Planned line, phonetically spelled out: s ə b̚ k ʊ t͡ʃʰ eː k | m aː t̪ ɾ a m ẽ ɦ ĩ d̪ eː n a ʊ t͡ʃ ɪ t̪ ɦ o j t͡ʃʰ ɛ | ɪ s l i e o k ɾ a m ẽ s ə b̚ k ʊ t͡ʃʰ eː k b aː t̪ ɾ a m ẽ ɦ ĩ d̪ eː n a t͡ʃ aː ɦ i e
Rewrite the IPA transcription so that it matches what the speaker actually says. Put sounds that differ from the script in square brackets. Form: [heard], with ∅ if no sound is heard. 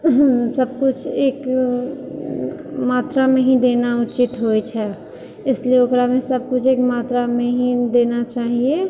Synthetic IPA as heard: s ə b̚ k ʊ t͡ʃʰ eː k | m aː t̪ ɾ a m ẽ ɦ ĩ d̪ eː n a ʊ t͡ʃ ɪ t̪ ɦ o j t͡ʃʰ ɛ | ɪ s l i e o k ɾ a m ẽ s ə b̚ k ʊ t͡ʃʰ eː k [m] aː t̪ ɾ a m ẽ ɦ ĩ d̪ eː n a t͡ʃ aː ɦ i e

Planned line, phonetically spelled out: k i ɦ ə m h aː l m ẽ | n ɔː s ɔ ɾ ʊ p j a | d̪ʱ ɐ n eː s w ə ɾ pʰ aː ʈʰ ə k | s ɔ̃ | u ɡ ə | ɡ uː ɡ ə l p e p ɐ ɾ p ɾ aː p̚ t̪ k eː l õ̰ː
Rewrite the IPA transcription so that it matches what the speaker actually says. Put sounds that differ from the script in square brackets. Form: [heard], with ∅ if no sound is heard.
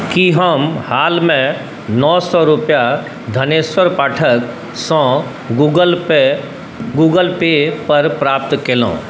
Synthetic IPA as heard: k i ɦ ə m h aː l m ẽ | n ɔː s ɔ ɾ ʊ p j a | d̪ʱ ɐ n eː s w ə ɾ [p] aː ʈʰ ə k | s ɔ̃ | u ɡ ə | ɡ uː ɡ ə l p e p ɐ ɾ p ɾ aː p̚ t̪ k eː l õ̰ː

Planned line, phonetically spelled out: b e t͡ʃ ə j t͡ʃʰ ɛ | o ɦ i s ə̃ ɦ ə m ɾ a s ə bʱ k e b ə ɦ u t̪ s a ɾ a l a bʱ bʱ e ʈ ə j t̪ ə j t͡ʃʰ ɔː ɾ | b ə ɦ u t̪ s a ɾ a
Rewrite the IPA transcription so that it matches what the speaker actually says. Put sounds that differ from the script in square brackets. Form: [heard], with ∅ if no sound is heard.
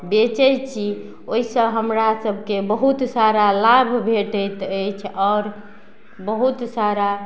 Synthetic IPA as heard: b e t͡ʃ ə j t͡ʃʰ [i] | o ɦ i s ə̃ ɦ ə m ɾ a s ə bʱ k e b ə ɦ u t̪ s a ɾ a l a bʱ bʱ e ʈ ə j t̪ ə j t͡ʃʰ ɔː ɾ | b ə ɦ u t̪ s a ɾ a

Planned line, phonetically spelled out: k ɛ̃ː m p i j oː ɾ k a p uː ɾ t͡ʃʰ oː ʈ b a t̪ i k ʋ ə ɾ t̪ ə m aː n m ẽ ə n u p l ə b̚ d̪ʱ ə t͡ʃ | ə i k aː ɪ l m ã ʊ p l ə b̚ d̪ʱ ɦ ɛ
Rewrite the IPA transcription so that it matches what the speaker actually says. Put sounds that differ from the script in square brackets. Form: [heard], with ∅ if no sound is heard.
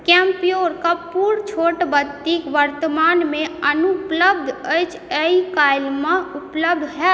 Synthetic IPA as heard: k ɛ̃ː m p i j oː ɾ k a p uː ɾ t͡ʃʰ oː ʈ b [ə] t̪ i k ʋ ə ɾ t̪ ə m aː n m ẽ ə n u p l ə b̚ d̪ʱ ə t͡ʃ | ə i k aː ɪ l m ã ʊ p l ə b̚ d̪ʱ ɦ ɛ

